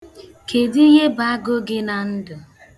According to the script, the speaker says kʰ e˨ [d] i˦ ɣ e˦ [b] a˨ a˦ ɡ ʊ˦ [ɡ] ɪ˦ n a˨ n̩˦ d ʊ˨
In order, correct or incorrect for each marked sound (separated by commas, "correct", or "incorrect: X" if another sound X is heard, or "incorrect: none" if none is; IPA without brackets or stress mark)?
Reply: correct, correct, correct